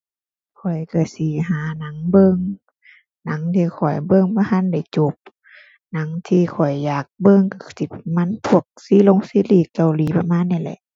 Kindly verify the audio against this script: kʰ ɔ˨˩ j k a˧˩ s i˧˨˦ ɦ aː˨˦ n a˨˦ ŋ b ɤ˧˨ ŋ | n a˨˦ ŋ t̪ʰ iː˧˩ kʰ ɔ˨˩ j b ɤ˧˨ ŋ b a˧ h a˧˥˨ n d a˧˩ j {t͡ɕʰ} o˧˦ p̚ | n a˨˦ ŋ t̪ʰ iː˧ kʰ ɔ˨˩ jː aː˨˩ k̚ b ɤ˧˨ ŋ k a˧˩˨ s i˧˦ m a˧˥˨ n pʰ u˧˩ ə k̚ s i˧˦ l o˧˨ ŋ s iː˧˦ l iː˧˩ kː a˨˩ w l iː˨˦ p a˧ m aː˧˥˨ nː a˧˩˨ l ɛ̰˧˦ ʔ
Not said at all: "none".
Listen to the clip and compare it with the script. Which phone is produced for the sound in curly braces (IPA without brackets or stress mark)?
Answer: t͡ɕ